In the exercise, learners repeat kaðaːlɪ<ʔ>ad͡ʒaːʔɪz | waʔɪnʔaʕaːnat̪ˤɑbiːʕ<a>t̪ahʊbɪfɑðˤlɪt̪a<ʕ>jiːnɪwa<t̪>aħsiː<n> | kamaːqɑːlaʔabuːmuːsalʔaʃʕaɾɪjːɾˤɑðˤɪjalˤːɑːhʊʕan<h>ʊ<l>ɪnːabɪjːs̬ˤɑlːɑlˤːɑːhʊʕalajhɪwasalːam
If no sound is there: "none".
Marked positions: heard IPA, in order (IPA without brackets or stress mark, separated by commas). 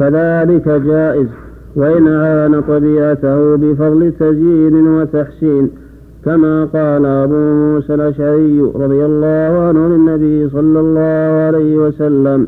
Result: k, a, z, t̪, n, h, l